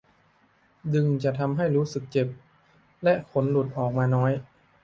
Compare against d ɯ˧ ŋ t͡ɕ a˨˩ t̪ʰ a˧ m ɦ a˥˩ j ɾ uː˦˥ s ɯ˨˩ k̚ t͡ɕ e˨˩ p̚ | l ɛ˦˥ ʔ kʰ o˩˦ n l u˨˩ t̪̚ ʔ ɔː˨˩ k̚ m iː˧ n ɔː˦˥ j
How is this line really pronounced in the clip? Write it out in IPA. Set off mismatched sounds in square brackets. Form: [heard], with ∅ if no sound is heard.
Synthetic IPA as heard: d ɯ˧ ŋ t͡ɕ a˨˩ t̪ʰ a˧ m ɦ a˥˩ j ɾ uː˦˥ s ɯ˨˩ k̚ t͡ɕ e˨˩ p̚ | l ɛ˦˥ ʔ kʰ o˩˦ n l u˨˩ t̪̚ ʔ ɔː˨˩ k̚ m [aː˧] n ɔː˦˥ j

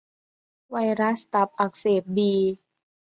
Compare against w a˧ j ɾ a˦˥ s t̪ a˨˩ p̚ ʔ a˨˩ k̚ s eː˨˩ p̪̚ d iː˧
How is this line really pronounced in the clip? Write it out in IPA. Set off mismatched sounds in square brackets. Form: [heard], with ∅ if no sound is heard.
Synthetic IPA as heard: w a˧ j ɾ a˦˥ s t̪ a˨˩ p̚ ʔ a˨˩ k̚ s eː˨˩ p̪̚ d iː˧

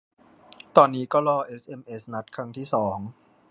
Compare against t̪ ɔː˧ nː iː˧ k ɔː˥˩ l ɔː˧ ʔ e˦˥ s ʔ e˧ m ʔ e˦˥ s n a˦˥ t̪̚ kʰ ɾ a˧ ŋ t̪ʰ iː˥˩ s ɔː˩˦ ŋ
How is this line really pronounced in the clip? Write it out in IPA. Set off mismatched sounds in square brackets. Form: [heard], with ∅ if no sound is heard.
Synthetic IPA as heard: t̪ ɔː˧ nː [iː˦˥] k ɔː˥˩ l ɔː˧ ʔ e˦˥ s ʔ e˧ m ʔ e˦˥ s n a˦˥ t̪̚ kʰ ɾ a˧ ŋ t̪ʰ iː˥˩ s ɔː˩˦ ŋ

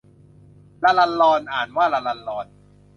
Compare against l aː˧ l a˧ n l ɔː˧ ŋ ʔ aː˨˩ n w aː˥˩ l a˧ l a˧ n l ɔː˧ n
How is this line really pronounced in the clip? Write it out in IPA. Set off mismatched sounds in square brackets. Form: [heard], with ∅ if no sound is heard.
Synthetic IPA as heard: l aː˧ l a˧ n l ɔː˧ [n] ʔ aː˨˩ n w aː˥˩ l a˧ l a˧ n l ɔː˧ n

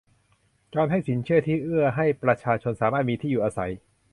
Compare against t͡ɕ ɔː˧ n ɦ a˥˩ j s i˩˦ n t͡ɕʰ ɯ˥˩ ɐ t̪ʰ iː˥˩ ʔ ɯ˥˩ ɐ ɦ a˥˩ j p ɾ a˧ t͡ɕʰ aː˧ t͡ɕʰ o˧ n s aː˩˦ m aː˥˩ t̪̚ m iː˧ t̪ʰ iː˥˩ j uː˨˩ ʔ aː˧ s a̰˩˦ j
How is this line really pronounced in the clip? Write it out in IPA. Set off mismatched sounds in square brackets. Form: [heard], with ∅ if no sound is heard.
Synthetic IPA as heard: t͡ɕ ɔː˧ n ɦ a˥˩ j s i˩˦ n t͡ɕʰ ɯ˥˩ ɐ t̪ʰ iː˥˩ ʔ ɯ˥˩ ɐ ɦ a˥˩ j p ɾ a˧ t͡ɕʰ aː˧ t͡ɕʰ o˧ n s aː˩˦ m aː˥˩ t̪̚ m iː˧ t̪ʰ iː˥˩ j uː˨˩ ʔ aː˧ s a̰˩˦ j

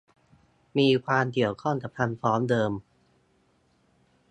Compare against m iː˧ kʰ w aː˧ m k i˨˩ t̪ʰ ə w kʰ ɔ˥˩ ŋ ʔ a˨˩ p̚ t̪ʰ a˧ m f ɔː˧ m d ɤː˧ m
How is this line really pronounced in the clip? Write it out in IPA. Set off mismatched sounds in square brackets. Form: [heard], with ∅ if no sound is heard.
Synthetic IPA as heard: m iː˧ kʰ w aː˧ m k i˨˩ [∅] ə w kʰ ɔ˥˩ ŋ [k] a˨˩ p̚ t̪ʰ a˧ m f [ɔː˦˥] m d ɤː˧ m

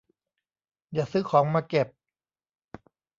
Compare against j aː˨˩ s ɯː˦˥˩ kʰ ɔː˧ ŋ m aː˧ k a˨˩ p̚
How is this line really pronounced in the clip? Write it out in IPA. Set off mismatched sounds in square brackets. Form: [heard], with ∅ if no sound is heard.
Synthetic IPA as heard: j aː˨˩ s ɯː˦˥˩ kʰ [ɔː˩˦] ŋ m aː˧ k [e˨˩] p̚

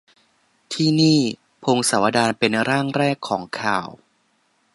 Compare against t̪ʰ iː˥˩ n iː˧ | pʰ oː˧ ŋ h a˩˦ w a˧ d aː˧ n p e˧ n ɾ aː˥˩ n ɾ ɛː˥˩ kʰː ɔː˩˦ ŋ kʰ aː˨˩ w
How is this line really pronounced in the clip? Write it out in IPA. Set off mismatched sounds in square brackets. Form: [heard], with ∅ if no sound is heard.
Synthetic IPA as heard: t̪ʰ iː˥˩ n [iː˥˩] | pʰ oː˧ ŋ [s] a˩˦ w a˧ d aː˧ n p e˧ n ɾ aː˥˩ [ŋ] ɾ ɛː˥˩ kʰː ɔː˩˦ ŋ kʰ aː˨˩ w

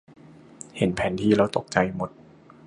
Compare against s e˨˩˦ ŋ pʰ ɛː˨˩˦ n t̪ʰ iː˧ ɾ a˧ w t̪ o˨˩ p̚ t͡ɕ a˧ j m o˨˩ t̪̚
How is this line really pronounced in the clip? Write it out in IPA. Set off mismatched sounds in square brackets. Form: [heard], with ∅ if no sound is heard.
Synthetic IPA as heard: [h] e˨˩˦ [n] pʰ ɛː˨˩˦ n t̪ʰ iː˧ ɾ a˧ w t̪ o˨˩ [k̚] t͡ɕ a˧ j m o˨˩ t̪̚

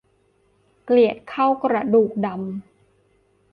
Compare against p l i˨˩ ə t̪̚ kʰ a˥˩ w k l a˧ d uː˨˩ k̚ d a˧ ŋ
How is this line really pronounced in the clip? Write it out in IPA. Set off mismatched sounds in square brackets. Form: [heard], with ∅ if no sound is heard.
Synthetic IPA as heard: [k] l i˨˩ ə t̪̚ kʰ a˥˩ w k [ɾ] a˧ d uː˨˩ k̚ d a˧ [m]

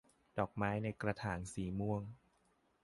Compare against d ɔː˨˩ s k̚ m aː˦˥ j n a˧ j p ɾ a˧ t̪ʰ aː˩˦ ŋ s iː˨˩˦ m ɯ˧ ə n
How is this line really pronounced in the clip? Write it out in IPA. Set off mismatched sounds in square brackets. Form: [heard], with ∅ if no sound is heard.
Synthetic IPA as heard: d ɔː˨˩ [∅] k̚ m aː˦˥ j n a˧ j [k] ɾ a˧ t̪ʰ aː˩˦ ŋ s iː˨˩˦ m [u˧] ə [ŋ]

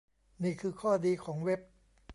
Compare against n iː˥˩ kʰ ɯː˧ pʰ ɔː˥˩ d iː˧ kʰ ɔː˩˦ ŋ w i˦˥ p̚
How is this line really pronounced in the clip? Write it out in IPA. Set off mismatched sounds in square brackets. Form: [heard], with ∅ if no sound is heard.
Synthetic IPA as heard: n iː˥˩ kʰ ɯː˧ [kʰ] ɔː˥˩ d iː˧ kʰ ɔː˩˦ ŋ w [e˦˥] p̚

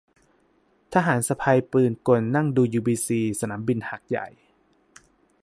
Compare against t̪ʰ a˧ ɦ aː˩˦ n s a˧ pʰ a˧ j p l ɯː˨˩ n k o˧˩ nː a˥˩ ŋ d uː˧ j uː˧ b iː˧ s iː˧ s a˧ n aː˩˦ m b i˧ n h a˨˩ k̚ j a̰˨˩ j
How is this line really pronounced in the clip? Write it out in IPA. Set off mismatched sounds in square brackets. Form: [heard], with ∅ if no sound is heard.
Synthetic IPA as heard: t̪ʰ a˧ ɦ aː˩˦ n s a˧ pʰ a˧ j p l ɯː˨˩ n k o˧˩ nː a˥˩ ŋ d uː˧ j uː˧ b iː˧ s iː˧ s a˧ n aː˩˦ m b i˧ n h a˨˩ k̚ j a̰˨˩ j

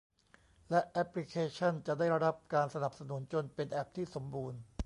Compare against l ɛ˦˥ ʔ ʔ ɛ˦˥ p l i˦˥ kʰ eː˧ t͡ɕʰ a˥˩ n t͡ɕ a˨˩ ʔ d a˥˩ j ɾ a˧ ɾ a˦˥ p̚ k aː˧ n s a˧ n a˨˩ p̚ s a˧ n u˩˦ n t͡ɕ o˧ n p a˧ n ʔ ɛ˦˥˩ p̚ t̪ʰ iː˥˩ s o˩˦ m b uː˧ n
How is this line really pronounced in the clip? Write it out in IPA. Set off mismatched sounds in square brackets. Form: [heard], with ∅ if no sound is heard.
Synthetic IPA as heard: l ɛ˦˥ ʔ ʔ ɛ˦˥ p l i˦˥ kʰ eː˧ t͡ɕʰ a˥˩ n t͡ɕ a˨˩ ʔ d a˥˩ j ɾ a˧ ɾ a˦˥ p̚ k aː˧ n s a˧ n a˨˩ p̚ s a˧ n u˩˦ n t͡ɕ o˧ n p [e˧] n ʔ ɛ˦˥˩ p̚ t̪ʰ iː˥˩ s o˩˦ m b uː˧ n

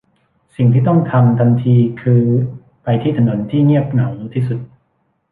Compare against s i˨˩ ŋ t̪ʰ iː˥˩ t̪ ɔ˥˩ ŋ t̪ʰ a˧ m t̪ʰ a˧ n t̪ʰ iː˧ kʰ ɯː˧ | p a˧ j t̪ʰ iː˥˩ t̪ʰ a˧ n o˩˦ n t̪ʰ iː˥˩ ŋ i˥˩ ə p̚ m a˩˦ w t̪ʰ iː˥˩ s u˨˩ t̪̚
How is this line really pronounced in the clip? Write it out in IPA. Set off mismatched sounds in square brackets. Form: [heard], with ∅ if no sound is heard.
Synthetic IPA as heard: s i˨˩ ŋ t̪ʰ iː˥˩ t̪ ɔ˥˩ ŋ t̪ʰ a˧ m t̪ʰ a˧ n t̪ʰ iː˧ kʰ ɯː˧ | p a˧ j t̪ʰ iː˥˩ t̪ʰ a˧ n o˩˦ n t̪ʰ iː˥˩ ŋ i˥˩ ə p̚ [n] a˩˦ w t̪ʰ iː˥˩ s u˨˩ t̪̚

